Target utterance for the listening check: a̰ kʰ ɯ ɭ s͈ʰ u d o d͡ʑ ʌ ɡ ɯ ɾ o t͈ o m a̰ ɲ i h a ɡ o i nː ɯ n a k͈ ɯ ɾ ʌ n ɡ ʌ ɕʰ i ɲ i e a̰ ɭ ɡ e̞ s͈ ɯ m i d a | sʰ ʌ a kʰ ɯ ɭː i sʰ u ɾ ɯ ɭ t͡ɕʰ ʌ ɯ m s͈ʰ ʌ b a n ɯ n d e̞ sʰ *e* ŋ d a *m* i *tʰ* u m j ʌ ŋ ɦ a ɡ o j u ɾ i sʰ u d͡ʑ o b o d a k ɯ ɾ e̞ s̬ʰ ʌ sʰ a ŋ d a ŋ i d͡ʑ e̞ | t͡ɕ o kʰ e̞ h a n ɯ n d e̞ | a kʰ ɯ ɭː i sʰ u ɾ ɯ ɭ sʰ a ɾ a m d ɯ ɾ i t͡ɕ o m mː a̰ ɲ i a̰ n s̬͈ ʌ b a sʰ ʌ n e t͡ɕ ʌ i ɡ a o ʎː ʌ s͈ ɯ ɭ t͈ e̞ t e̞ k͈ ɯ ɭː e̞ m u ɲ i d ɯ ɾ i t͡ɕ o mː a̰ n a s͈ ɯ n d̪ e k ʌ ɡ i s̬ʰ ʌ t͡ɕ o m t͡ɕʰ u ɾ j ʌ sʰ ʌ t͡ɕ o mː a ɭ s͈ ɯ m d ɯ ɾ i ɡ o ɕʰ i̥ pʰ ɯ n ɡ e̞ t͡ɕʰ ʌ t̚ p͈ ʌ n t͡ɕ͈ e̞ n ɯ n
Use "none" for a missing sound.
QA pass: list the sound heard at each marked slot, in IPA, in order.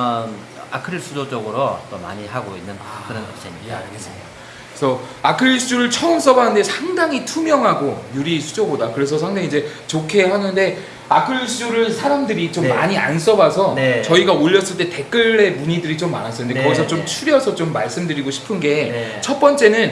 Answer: a, ŋ, tʰ

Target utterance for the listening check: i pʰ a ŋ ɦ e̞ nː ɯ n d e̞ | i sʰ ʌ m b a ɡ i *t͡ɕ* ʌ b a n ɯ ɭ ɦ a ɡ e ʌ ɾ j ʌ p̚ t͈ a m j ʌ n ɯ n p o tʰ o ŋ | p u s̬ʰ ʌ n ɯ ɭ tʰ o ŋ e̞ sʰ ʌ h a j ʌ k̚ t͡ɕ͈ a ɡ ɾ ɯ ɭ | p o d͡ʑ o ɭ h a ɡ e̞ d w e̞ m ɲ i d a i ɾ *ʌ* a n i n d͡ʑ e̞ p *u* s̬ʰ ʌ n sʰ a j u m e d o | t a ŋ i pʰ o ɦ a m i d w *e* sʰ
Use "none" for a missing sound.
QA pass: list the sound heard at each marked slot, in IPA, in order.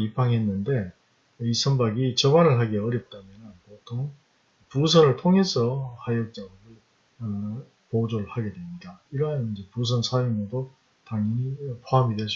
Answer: t͡ɕ, ʌ, u, e

